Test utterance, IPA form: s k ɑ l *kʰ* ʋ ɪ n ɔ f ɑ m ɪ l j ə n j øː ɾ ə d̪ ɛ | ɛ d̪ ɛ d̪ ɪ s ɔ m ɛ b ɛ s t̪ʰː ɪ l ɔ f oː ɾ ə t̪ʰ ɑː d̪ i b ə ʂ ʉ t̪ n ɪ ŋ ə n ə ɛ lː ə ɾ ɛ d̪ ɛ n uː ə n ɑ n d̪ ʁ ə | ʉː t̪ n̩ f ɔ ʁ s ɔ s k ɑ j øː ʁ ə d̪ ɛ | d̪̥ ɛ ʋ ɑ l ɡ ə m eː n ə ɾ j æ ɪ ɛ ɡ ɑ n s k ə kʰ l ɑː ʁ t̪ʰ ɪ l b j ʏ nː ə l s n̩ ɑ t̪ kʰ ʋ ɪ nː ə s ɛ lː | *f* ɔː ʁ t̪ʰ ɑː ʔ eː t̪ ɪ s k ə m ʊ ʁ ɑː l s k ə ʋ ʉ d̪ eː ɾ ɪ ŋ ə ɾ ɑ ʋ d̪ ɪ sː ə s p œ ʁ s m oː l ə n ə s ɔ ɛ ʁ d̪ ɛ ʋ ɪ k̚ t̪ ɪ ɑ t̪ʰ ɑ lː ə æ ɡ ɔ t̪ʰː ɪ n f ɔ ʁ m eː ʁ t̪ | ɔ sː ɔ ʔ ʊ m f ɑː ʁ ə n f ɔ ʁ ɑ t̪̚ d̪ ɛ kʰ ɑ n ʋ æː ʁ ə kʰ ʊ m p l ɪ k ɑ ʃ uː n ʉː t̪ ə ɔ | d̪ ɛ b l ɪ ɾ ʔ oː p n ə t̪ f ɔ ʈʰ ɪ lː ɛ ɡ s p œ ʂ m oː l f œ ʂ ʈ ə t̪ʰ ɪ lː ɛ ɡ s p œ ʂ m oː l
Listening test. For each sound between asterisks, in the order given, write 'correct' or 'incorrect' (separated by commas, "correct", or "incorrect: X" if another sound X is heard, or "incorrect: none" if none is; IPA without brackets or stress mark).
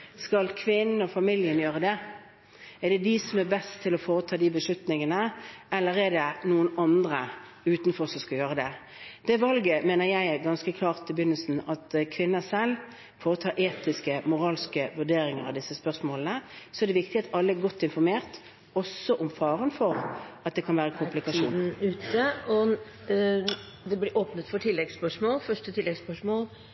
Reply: correct, correct